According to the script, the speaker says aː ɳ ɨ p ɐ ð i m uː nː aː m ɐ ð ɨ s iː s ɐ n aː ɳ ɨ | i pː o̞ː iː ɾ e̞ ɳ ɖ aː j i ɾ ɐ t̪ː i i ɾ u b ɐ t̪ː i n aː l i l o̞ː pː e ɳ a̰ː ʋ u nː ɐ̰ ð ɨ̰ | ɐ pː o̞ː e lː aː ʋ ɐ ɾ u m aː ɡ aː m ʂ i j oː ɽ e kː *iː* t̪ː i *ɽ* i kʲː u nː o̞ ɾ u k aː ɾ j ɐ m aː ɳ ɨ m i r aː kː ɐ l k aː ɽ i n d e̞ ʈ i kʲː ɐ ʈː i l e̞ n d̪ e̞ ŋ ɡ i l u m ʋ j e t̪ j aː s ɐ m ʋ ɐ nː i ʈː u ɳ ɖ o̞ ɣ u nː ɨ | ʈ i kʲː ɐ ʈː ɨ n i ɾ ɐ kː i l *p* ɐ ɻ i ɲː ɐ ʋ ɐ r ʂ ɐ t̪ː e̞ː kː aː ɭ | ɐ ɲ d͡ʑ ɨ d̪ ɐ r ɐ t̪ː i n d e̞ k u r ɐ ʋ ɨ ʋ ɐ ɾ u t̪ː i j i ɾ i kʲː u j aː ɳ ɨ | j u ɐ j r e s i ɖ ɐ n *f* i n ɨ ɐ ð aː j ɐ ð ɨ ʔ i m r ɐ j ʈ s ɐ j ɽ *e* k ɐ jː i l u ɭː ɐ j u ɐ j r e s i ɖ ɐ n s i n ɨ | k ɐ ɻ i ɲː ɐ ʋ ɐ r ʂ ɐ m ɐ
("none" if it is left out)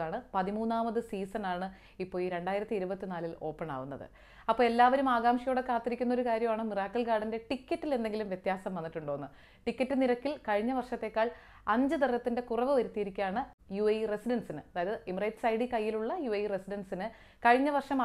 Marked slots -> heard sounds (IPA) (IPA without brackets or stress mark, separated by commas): aː, ɾ, k, s, i